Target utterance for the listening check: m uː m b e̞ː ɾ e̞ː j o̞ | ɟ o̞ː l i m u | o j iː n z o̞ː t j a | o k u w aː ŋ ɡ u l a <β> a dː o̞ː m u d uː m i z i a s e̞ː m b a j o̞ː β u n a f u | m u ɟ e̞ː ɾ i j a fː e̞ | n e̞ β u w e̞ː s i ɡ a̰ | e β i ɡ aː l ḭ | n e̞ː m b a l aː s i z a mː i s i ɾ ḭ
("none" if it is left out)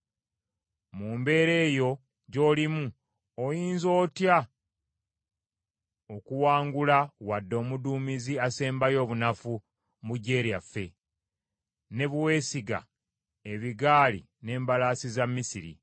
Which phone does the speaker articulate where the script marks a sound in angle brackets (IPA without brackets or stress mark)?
w